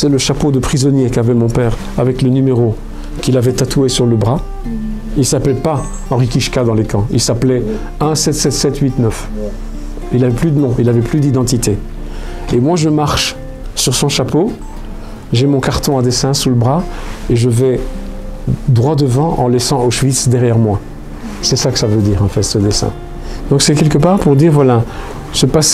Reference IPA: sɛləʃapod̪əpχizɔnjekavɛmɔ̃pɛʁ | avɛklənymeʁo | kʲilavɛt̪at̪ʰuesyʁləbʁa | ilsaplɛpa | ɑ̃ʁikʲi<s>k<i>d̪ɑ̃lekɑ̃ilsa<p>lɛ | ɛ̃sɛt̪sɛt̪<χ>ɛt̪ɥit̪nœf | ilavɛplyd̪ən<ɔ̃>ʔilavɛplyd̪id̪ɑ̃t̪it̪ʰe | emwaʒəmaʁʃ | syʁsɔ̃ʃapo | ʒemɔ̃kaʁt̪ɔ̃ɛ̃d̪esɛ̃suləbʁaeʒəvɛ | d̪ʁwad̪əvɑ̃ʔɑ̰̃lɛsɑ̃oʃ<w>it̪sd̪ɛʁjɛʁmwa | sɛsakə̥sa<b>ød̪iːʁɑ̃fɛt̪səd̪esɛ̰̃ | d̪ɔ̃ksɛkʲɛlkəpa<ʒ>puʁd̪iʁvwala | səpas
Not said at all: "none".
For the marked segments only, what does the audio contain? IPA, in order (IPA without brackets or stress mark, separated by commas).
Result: ʃ, a, p, s, ɔ̃, v, v, ʁ